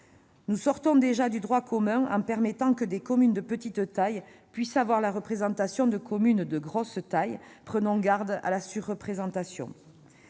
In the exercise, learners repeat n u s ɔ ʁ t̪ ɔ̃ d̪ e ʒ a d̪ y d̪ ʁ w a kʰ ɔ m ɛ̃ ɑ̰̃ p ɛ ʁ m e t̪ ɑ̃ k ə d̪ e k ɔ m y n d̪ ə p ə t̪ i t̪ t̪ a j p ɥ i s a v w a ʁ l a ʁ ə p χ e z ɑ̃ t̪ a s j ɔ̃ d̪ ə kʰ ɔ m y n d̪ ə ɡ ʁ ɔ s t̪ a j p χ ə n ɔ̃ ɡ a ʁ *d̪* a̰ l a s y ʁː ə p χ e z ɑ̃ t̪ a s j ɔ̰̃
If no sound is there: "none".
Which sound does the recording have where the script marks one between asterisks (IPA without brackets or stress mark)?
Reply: d̪